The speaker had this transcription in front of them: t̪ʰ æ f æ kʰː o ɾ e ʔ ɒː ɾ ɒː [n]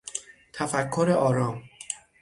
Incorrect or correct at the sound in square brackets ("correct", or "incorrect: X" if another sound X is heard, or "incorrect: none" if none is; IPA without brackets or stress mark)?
incorrect: m